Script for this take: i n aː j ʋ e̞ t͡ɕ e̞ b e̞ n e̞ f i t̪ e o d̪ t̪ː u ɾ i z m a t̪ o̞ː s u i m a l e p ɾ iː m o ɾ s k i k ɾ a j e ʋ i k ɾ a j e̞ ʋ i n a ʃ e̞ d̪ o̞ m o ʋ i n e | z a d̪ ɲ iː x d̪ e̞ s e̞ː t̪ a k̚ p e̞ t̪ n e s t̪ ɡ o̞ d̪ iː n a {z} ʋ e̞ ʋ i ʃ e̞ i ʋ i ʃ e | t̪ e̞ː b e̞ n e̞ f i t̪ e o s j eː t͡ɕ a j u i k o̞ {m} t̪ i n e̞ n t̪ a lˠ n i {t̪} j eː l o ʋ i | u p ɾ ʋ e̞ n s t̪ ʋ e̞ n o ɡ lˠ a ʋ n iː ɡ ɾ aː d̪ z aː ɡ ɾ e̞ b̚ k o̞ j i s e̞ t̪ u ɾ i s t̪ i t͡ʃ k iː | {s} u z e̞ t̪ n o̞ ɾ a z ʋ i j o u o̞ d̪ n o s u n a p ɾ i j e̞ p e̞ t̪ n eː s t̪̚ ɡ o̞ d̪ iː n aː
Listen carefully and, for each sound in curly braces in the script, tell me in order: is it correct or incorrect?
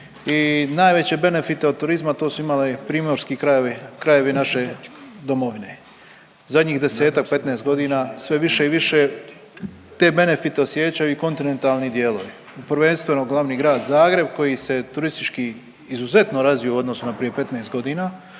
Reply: incorrect: s, incorrect: n, incorrect: d̪, incorrect: z

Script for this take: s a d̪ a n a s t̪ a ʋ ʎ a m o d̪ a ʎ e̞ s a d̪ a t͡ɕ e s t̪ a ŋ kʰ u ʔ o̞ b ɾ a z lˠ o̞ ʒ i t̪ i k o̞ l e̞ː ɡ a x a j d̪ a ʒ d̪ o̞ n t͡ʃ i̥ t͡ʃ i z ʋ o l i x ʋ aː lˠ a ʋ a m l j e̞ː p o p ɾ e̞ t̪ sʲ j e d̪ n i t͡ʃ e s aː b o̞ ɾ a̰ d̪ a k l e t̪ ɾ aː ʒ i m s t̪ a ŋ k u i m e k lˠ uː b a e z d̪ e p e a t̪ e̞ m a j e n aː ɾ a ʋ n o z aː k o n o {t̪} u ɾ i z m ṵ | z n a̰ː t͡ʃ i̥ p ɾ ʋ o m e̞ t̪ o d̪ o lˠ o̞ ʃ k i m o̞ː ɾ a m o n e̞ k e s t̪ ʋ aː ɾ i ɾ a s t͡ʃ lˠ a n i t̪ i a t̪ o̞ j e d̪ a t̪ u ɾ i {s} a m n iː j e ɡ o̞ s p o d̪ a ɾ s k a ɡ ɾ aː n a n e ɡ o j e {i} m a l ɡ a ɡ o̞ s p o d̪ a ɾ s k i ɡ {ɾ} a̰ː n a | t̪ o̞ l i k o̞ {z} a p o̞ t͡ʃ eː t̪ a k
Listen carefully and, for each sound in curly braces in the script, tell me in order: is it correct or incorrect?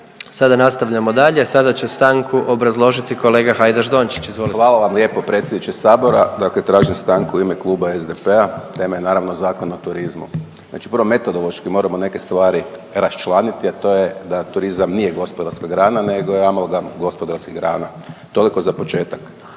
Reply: correct, incorrect: z, incorrect: a, correct, correct

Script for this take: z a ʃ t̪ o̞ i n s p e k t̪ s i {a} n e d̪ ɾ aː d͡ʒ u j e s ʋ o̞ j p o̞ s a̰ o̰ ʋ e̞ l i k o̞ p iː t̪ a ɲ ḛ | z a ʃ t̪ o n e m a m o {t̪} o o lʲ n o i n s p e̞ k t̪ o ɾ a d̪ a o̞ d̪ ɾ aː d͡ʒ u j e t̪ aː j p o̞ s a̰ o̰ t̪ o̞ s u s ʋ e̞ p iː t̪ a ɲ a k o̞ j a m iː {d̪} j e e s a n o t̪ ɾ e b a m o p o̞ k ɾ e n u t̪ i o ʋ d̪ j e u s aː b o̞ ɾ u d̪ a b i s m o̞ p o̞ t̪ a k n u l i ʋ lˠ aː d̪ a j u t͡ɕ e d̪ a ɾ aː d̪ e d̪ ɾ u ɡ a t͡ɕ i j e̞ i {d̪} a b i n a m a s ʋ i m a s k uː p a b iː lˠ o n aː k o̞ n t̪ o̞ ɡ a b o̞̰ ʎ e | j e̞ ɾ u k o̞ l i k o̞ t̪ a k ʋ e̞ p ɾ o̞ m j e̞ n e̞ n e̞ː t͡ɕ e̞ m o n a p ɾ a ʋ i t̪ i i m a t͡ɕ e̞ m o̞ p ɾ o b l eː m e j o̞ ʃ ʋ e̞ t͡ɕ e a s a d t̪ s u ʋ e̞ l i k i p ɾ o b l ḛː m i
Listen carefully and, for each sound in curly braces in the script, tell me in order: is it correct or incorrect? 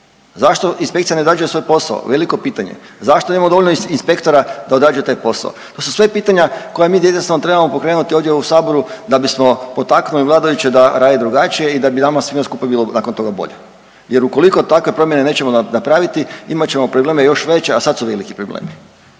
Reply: correct, incorrect: d̪, correct, correct

